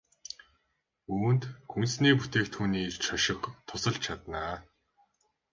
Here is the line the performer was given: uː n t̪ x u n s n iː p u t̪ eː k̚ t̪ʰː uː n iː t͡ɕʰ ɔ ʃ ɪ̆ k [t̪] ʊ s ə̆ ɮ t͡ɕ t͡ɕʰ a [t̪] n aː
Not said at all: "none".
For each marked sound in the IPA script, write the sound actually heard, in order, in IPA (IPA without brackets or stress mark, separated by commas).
t̪ʰ, t̪